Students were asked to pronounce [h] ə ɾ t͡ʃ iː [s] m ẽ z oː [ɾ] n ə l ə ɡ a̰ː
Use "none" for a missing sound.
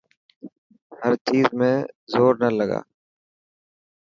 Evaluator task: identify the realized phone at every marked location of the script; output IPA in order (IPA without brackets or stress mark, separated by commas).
h, z, ɾ